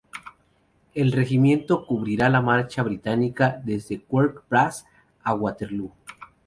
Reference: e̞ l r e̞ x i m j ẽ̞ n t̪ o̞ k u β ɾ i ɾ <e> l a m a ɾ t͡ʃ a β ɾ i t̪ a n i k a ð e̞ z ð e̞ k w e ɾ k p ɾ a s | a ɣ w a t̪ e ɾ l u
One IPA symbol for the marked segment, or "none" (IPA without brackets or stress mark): a